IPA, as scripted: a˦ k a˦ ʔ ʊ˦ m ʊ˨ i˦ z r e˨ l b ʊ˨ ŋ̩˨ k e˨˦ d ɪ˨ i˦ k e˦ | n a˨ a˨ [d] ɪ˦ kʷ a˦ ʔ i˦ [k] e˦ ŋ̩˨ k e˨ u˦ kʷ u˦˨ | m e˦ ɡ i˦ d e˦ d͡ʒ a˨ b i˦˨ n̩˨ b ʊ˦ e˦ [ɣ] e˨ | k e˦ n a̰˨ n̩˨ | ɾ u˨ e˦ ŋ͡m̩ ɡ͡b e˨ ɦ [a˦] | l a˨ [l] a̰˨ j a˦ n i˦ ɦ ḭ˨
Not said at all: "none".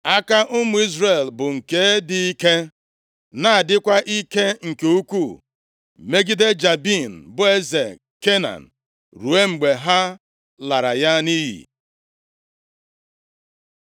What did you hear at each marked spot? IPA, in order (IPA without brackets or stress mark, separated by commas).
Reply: d, k, z, a˦, ɾ